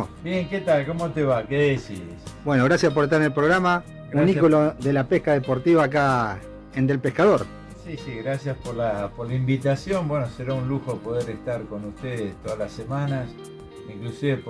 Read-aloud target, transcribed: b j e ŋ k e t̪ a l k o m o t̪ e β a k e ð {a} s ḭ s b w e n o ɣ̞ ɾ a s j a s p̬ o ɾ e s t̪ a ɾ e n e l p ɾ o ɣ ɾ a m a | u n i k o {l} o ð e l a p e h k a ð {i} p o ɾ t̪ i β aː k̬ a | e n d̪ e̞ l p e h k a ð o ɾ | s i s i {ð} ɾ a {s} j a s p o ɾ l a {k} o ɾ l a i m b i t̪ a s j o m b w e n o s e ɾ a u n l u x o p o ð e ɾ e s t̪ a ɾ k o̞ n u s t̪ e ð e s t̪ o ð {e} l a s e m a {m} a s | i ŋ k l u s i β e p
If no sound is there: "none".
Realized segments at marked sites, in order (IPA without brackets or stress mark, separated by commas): e, l, e, ɣ, s, p, a, n